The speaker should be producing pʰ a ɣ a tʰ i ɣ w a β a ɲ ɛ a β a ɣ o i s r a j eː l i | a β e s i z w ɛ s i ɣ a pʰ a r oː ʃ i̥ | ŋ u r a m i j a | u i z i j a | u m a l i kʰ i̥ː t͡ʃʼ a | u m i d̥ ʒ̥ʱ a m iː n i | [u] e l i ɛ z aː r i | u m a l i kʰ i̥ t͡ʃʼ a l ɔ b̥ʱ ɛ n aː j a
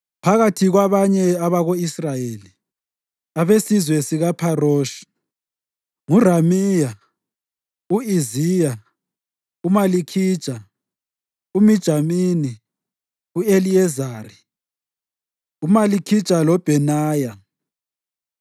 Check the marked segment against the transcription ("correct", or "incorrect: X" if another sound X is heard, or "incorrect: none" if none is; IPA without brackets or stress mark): correct